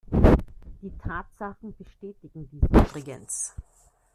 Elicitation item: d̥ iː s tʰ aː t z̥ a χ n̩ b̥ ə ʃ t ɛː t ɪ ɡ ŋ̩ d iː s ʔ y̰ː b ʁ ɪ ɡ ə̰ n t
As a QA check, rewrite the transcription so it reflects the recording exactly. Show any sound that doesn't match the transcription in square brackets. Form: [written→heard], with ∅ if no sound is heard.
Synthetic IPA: d̥ iː [s→∅] tʰ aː t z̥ a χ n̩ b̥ ə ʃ t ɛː t ɪ ɡ ŋ̩ d iː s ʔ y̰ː b ʁ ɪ ɡ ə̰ n [t→s]